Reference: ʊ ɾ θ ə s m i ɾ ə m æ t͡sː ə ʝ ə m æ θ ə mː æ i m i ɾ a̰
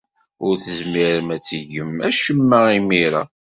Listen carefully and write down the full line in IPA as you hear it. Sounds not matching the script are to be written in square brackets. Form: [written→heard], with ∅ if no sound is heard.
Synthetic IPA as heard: ʊ ɾ θ ə [s→z] m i ɾ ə m æ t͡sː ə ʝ ə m æ [θ→ʃ] ə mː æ i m i ɾ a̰